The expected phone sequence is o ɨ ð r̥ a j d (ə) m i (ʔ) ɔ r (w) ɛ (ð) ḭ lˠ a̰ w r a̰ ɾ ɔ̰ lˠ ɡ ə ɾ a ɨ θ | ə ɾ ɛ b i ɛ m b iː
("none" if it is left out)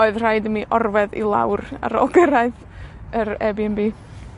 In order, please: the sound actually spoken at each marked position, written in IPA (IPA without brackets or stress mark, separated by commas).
ə, ʔ, v, ð